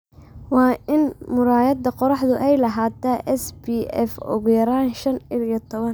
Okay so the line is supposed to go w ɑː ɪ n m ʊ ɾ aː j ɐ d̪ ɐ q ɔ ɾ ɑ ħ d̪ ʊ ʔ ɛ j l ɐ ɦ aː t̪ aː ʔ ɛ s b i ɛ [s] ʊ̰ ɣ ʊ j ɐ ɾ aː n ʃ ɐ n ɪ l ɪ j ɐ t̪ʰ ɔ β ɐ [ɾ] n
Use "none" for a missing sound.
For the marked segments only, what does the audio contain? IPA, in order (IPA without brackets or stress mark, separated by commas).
f, none